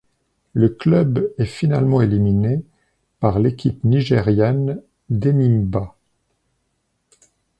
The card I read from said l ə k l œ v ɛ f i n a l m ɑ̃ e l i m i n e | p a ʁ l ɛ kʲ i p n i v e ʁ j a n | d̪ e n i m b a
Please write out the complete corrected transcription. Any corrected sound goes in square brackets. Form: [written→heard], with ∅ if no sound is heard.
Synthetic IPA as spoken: l ə k l œ [v→b] ɛ f i n a l m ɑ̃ e l i m i n e | p a ʁ l [ɛ→e] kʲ i p n i [v→ʒ] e ʁ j a n | d̪ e n i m b a